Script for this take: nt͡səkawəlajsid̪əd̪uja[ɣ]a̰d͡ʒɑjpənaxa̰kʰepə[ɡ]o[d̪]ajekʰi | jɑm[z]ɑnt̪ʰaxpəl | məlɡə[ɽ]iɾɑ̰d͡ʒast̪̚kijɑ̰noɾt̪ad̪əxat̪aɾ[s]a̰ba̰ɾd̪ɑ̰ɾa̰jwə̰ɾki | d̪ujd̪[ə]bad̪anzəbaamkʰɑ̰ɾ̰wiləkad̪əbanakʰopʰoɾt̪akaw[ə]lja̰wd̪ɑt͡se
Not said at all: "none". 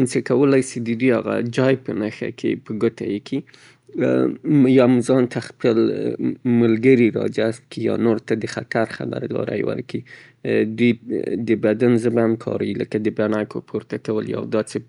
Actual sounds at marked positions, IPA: ɣ, ɡ, t̪, z, ɾ, x, ə, ə

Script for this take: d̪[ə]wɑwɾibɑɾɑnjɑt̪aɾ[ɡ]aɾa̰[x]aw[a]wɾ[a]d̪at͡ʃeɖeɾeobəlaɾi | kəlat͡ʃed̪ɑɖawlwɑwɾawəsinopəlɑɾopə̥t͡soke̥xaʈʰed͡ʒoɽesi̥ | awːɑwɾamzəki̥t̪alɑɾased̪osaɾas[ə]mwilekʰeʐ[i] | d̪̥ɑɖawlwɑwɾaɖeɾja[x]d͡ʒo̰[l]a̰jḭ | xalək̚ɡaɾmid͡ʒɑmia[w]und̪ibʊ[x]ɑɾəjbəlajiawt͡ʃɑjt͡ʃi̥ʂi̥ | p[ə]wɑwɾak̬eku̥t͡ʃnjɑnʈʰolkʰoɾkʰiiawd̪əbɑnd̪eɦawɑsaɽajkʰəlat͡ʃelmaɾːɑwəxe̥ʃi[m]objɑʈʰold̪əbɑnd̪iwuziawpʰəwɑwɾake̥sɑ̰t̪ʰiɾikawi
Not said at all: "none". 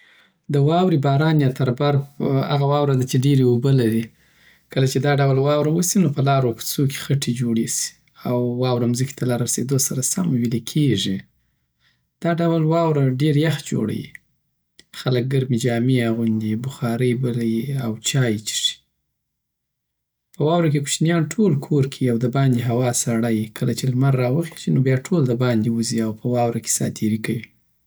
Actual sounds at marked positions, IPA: ə, b, ɣ, ɑ, a, a, i, x, ɽ, ɣ, x, ə, n

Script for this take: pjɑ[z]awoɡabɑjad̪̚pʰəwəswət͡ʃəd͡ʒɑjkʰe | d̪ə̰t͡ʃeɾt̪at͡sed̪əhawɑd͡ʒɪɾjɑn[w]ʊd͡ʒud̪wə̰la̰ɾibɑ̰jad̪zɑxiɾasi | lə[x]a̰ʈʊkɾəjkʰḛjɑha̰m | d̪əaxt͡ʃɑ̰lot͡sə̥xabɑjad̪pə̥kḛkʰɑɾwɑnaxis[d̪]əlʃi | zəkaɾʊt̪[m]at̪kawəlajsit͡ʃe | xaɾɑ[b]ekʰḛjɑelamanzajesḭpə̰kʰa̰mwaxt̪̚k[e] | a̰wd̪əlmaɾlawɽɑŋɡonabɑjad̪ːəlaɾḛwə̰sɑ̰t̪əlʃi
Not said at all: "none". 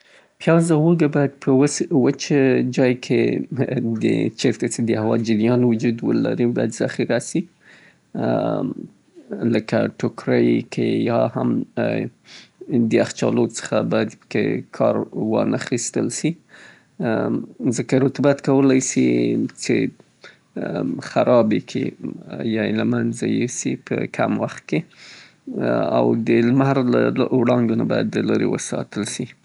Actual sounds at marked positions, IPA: z, w, k, t̪, b, b, e

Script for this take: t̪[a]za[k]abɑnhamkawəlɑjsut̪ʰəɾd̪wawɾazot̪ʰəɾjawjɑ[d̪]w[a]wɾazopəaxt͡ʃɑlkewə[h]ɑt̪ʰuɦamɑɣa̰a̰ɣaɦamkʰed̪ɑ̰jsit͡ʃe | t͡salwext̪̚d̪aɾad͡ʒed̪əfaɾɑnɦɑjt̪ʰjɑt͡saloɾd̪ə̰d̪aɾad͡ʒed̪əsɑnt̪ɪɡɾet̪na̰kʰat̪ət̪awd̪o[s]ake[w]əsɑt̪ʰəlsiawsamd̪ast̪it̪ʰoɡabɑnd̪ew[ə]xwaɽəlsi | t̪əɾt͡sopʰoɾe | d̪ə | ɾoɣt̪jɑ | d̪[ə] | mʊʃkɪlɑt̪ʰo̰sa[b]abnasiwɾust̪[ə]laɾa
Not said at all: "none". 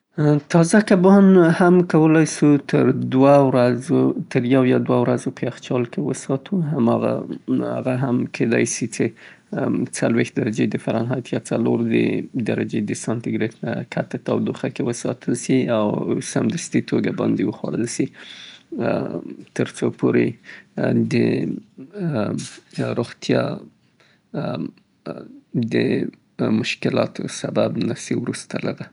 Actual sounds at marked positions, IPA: ɑ, k, d̪, a, s, x, w, ə, ə, b, a

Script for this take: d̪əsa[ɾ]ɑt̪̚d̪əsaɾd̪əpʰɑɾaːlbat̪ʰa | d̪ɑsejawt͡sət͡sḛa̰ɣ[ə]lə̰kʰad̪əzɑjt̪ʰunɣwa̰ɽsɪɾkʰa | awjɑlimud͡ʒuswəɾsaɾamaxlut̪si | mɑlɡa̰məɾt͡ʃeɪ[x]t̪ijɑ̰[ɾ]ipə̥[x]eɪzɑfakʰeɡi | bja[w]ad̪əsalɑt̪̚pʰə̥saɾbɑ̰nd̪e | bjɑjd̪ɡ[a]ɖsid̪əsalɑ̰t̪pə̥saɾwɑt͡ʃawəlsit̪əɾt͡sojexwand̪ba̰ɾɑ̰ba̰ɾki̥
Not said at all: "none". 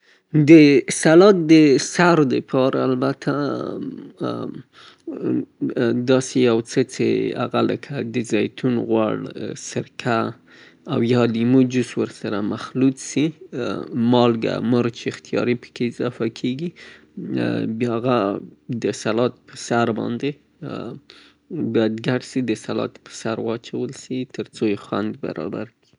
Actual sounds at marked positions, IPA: l, a, x, ɾ, k, ɣ, a

